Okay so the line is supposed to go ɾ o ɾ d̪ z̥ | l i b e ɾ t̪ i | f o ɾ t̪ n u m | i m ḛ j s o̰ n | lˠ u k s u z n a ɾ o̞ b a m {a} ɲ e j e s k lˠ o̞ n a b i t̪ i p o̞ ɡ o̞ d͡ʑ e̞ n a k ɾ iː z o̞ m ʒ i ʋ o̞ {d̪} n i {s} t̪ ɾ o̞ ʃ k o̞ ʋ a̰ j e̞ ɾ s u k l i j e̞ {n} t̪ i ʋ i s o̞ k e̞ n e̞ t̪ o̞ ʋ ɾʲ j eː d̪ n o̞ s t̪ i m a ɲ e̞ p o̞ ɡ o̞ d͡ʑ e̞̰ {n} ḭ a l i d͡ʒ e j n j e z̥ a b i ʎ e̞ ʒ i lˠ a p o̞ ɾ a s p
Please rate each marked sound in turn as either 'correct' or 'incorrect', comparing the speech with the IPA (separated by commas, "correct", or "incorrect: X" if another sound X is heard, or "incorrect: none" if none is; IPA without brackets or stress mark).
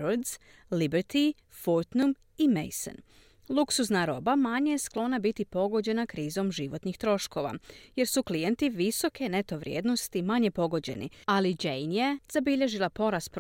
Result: correct, incorrect: t̪, incorrect: x, correct, correct